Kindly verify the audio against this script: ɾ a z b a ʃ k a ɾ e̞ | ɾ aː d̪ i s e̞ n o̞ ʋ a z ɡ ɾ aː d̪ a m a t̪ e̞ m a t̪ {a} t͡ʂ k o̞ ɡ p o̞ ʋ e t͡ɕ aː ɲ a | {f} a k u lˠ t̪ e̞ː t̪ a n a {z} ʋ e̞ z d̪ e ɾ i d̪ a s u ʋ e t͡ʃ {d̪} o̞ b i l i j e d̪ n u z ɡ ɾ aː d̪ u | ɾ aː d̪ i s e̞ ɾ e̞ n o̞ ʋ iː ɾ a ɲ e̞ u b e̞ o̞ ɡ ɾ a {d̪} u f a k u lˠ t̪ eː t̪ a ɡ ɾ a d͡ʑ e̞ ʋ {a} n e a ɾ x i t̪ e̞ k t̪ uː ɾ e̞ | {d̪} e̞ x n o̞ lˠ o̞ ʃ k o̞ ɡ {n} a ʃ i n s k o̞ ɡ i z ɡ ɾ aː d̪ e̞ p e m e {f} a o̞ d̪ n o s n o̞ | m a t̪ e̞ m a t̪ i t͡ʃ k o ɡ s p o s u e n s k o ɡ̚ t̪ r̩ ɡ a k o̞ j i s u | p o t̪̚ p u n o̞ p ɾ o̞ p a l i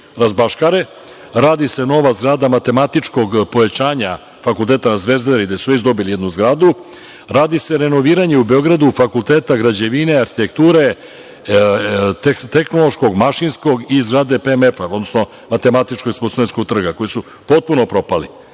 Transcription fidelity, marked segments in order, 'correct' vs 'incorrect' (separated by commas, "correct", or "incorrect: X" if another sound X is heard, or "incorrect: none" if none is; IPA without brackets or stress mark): incorrect: i, correct, correct, correct, correct, incorrect: i, incorrect: t̪, incorrect: m, correct